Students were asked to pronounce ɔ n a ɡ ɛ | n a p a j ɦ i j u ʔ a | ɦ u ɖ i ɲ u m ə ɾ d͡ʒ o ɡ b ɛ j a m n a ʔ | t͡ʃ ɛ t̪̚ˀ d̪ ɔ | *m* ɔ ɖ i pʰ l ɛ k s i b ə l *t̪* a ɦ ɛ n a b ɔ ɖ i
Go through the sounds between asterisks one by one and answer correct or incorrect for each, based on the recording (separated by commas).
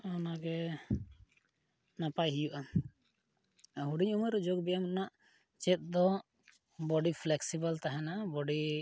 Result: incorrect, correct